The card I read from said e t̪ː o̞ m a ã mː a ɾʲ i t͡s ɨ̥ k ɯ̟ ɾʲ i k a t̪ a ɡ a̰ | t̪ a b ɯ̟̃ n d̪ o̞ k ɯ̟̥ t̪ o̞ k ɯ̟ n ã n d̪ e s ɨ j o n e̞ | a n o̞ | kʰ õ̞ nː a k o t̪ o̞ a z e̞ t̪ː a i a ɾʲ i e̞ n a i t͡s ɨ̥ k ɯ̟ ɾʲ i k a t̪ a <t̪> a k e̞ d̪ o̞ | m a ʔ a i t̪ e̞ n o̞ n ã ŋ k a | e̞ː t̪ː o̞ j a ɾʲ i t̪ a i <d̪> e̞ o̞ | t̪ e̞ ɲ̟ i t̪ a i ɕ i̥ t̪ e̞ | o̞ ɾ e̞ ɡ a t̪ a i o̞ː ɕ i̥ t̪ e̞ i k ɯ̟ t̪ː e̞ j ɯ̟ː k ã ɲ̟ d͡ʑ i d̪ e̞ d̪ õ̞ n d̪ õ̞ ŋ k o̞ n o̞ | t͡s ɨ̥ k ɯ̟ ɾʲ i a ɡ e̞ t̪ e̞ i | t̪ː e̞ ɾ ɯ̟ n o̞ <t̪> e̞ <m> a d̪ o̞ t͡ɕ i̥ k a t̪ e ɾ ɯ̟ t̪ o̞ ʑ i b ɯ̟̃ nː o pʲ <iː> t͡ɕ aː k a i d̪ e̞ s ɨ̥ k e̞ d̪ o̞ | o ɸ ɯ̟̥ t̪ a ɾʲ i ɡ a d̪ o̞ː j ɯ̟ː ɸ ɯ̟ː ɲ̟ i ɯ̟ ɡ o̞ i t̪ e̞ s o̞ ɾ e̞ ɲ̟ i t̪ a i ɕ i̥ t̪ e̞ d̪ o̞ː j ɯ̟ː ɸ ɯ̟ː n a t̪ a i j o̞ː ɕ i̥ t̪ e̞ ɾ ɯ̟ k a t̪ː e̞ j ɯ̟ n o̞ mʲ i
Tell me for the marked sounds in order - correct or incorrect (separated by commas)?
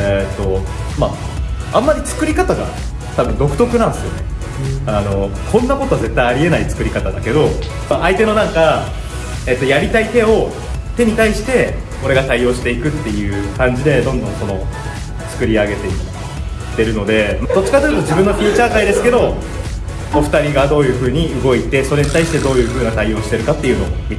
incorrect, incorrect, incorrect, correct, correct